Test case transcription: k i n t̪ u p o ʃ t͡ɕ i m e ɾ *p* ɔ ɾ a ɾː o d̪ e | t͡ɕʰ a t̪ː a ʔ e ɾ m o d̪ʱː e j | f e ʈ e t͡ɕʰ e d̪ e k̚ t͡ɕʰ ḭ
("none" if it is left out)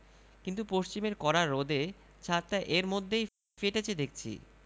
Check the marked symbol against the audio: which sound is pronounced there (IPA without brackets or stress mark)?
k